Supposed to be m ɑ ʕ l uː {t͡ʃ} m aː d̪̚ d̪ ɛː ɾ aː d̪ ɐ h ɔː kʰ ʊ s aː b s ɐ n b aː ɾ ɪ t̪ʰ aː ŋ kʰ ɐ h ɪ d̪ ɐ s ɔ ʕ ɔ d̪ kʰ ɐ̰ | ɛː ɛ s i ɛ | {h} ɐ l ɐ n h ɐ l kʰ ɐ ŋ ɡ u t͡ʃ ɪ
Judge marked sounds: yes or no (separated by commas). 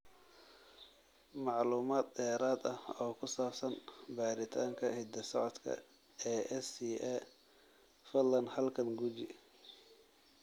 no, no